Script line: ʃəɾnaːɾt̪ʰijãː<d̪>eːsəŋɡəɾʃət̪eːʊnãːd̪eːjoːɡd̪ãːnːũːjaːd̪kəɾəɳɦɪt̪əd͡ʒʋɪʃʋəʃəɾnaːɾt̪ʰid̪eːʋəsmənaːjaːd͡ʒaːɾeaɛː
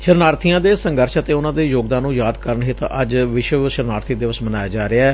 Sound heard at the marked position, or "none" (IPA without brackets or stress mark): d̪